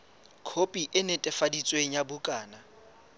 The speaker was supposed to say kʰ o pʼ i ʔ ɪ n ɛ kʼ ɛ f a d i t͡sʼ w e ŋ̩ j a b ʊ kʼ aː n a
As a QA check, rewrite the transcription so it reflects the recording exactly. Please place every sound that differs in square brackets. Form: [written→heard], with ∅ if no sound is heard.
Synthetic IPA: kʰ o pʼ i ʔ ɪ n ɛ [kʼ→tʼ] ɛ f a d i t͡sʼ w e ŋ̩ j a b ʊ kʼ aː n a